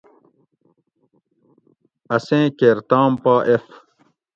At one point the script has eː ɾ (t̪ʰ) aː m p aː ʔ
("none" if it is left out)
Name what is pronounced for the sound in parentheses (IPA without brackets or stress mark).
t̪